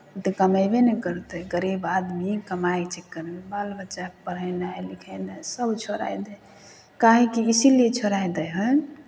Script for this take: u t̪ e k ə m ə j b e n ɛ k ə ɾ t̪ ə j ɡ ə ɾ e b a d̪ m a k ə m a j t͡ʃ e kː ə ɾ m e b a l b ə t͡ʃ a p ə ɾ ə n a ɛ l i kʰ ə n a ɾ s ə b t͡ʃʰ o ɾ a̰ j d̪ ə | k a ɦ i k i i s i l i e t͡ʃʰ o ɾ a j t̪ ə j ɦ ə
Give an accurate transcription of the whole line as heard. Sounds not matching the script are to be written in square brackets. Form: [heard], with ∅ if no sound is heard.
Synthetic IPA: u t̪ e k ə m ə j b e n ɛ k ə ɾ t̪ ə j ɡ ə ɾ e b a d̪ m [i] k ə m a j t͡ʃ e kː ə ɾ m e b a l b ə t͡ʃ a p ə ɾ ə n a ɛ l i kʰ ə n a [∅] s ə b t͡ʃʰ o ɾ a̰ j d̪ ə | k a ɦ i k i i s i l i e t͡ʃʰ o ɾ a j [d̪] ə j ɦ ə